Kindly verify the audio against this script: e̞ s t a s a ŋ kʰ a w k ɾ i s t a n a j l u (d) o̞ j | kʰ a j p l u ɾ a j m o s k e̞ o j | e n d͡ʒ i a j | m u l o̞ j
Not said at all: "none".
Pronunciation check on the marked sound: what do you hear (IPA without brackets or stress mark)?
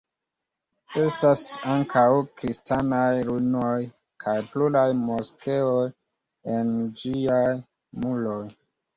n